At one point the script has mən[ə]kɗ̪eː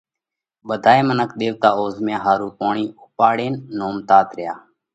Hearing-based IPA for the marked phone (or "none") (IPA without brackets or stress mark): ə